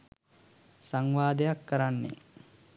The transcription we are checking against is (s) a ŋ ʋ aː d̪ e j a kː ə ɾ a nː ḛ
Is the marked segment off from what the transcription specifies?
no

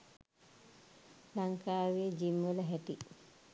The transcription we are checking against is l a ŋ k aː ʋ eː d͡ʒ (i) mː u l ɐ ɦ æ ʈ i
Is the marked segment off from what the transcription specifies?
no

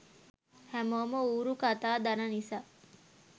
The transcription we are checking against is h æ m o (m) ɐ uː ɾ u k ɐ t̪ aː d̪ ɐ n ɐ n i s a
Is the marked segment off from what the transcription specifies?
no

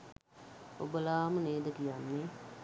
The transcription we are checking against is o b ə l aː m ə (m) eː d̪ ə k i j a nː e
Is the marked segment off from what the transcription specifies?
yes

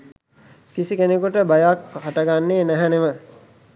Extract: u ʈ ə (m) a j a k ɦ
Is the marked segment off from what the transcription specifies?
yes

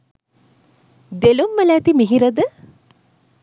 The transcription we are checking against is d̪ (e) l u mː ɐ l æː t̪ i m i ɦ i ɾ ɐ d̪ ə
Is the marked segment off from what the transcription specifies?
no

